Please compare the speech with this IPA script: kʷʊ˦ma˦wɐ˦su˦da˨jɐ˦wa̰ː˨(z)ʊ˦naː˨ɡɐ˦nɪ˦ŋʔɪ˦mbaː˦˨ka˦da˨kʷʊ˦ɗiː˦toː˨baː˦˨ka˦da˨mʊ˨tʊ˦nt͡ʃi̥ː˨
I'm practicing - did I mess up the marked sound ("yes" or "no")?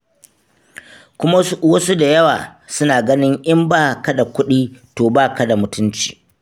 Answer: yes